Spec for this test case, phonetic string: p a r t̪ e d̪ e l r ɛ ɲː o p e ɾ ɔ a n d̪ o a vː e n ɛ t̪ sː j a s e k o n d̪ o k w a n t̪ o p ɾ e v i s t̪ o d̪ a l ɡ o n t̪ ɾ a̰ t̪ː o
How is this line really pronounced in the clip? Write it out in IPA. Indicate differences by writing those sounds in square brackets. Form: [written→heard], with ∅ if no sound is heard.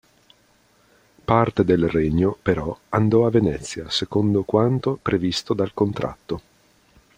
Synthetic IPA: p a r t̪ e d̪ e l r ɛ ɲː o p e ɾ ɔ a n d̪ [o→ɔ] a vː e n ɛ t̪ sː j a s e k o n d̪ o k w a n t̪ o p ɾ e v i s t̪ o d̪ a l [ɡ→k] o n t̪ ɾ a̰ t̪ː o